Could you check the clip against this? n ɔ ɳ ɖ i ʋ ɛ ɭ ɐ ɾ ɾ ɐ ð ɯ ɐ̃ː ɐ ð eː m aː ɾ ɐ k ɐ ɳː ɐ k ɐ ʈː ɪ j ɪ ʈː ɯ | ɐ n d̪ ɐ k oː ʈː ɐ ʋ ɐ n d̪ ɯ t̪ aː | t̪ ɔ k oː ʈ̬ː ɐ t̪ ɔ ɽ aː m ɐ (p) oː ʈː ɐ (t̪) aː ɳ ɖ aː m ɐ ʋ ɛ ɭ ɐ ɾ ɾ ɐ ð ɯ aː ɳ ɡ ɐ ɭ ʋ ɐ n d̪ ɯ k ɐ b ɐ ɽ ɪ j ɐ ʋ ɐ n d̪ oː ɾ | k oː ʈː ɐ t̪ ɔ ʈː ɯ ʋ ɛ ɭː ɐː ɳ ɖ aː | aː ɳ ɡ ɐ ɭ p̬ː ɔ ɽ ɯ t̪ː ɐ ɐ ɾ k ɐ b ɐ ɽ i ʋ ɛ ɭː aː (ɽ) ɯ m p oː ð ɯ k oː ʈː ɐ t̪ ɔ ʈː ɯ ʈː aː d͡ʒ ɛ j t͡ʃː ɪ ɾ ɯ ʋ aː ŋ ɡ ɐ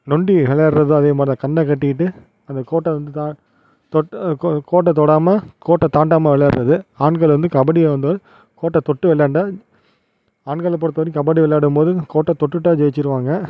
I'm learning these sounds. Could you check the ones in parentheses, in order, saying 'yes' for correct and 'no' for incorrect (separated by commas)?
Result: no, yes, yes